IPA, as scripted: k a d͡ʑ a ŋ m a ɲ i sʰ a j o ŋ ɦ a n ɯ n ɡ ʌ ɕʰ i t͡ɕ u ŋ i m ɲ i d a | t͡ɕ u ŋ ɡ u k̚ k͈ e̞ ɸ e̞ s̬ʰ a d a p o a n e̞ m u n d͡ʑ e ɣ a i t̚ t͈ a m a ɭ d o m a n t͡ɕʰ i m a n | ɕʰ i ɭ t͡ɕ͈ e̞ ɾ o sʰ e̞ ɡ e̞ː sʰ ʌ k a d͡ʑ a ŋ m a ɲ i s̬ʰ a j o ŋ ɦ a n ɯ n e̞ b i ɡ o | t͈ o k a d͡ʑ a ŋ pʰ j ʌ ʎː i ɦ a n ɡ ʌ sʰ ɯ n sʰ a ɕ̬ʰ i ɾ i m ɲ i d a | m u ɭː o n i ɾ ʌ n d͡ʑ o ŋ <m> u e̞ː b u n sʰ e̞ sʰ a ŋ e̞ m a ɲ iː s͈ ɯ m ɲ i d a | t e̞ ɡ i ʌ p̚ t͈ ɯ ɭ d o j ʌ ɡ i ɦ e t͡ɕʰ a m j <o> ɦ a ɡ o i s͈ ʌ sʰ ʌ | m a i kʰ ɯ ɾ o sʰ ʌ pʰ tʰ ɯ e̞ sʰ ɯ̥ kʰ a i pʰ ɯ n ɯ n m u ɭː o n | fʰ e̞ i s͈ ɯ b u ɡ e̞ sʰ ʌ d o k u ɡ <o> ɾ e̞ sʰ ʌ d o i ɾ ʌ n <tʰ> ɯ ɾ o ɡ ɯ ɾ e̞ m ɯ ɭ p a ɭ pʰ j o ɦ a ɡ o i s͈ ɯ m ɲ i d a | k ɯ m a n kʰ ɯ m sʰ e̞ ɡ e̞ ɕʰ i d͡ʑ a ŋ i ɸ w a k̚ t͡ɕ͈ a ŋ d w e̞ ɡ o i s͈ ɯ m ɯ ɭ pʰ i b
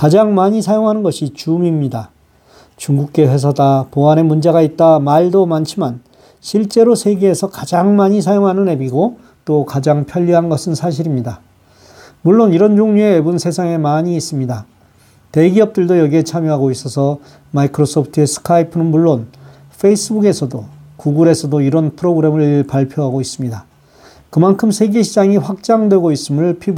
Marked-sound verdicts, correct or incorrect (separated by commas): incorrect, correct, incorrect, incorrect